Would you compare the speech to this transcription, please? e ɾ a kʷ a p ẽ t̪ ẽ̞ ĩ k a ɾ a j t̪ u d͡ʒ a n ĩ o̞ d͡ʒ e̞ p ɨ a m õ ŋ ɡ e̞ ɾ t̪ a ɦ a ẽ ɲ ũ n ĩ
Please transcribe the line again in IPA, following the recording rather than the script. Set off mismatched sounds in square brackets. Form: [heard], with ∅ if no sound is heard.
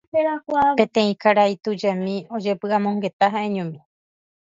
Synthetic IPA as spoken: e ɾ a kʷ a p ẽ t̪ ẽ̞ ĩ k a ɾ a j t̪ u d͡ʒ a [m] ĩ o̞ d͡ʒ e̞ p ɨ a m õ ŋ ɡ e̞ [∅] t̪ a ɦ a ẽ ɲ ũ [m] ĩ